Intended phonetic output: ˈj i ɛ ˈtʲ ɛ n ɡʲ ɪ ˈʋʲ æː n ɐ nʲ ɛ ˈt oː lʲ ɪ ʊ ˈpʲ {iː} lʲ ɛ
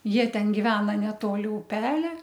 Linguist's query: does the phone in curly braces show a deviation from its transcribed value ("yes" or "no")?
yes